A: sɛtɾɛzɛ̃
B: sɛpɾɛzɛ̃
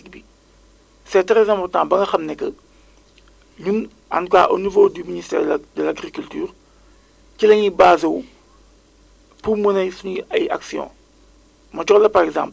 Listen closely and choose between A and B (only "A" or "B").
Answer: A